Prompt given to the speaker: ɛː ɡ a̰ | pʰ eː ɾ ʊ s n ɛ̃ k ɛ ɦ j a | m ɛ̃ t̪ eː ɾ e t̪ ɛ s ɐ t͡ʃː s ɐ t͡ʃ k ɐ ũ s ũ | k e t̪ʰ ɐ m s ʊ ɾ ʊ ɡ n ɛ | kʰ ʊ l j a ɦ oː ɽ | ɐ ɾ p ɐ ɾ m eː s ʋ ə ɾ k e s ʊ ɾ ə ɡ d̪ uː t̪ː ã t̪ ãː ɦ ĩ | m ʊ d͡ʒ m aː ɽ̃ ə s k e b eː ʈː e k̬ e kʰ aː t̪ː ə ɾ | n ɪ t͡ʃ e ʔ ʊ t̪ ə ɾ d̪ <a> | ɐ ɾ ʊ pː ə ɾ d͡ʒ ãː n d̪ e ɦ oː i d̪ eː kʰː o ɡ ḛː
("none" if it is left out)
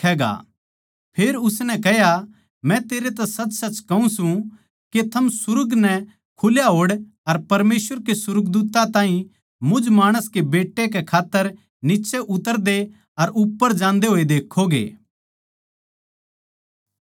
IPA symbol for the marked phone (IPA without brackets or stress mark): e